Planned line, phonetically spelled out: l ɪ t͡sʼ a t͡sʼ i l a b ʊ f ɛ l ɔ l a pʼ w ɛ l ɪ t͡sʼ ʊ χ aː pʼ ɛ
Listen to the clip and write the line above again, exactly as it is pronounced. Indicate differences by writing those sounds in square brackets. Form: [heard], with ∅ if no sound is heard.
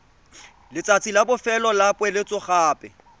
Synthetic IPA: l ɪ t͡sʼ a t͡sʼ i l a b ʊ f ɛ l ɔ l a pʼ w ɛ l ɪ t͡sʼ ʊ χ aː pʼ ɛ